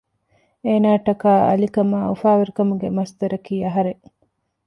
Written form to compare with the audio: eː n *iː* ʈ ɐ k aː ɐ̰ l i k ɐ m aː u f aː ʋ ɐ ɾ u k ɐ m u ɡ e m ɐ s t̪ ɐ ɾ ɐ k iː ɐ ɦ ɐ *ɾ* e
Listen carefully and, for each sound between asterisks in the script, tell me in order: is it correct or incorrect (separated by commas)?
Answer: incorrect, correct